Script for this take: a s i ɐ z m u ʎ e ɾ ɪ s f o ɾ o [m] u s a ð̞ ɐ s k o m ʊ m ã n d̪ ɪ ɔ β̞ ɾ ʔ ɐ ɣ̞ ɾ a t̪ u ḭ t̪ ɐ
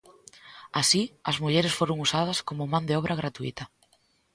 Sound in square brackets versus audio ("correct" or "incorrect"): incorrect